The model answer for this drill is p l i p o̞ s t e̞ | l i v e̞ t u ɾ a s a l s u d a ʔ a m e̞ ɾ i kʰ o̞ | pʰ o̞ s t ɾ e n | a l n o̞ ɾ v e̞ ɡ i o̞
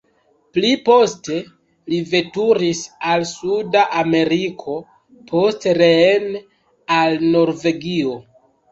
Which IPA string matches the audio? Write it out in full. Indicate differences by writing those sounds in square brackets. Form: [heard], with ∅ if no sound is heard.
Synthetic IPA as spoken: p l i p o̞ s t e̞ | l i v e̞ t u ɾ [i] s a l s u d a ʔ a m e̞ ɾ i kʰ o̞ | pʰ o̞ s t ɾ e n | a l n o̞ ɾ v e̞ ɡ i o̞